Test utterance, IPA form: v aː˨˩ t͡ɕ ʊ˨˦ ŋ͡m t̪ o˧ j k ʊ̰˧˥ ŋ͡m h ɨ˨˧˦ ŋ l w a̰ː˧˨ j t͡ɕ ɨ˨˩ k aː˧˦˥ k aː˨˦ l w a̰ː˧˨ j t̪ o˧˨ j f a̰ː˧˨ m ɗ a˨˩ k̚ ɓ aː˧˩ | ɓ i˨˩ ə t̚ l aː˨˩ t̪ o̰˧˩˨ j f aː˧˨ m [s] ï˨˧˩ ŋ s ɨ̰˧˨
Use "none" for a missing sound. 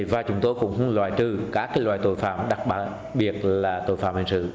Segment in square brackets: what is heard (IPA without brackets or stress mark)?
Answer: h